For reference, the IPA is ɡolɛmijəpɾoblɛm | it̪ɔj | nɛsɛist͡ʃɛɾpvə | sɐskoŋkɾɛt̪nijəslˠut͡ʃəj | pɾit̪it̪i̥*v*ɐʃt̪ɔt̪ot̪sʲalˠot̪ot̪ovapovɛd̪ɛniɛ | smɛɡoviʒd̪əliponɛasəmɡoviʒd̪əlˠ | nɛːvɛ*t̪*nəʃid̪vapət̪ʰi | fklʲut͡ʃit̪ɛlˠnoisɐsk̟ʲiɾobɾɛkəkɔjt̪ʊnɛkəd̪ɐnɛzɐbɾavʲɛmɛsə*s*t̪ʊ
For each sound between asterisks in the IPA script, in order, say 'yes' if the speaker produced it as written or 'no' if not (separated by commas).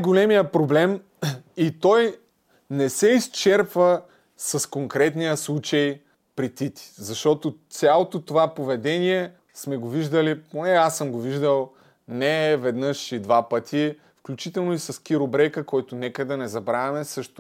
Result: no, no, no